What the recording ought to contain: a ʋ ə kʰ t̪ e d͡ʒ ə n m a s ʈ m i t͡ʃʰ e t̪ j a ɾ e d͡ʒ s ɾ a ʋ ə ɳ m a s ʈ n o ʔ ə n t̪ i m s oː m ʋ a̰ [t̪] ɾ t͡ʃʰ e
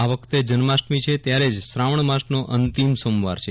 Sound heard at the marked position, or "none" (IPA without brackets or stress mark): none